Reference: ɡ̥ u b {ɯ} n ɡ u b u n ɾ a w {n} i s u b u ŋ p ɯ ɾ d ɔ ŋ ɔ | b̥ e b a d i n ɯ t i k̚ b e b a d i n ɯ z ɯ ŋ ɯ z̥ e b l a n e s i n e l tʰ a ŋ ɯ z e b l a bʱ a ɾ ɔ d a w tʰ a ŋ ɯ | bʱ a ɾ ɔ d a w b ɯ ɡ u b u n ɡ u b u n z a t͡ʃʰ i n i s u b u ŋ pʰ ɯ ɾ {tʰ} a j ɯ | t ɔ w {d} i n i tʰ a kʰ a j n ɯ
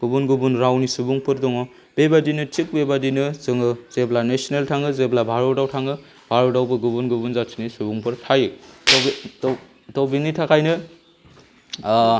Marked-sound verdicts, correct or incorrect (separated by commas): incorrect, correct, correct, incorrect